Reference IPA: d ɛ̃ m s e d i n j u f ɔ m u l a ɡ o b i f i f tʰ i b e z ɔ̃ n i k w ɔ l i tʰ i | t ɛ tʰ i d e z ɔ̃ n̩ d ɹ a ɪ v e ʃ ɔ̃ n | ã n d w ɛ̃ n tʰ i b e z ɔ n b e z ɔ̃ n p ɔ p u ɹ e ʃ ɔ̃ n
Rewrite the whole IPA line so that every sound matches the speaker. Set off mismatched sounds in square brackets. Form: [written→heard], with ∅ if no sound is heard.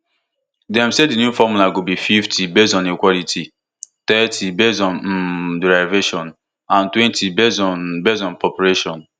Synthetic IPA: d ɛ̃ m s e d i n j u f ɔ m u l a ɡ o b i f i f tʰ i b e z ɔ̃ n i k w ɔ l i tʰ i | t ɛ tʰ i [d→b] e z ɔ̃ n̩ d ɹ a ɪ v e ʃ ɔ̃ n | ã n [d→t] w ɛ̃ n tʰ i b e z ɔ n b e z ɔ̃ n p ɔ p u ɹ e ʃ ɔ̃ n